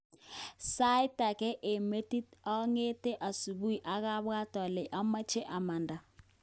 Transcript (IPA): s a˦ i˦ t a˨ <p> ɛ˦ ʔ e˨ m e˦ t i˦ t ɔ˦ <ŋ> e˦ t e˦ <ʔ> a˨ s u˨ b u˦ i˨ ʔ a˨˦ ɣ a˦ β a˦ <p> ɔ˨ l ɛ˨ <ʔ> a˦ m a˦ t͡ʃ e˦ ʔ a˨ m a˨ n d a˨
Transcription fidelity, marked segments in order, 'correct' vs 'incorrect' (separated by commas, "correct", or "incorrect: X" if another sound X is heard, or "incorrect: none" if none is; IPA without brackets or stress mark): incorrect: k, correct, correct, incorrect: t, correct